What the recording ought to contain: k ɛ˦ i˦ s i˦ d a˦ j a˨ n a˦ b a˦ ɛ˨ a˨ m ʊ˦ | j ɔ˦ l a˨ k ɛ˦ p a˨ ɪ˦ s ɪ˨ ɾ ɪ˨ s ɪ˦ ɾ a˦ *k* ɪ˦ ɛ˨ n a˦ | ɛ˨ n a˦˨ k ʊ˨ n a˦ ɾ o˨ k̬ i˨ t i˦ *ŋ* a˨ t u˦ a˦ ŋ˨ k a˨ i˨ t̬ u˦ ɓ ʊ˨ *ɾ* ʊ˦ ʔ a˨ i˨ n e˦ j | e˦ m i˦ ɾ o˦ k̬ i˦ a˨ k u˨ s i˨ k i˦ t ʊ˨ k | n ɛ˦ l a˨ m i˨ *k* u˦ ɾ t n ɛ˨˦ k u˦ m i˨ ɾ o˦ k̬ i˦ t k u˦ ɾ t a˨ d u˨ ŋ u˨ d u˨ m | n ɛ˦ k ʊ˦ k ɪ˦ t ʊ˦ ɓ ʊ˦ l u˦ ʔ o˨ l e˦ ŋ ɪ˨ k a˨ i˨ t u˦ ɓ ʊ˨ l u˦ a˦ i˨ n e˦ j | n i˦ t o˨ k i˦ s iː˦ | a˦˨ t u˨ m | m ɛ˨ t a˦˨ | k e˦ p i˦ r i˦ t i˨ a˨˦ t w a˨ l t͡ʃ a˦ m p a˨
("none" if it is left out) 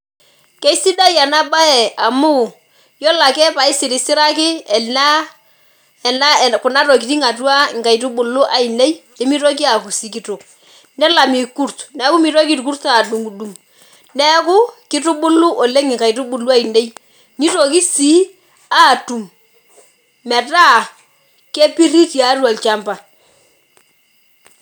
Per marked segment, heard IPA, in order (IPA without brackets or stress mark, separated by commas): k, ŋ, l, k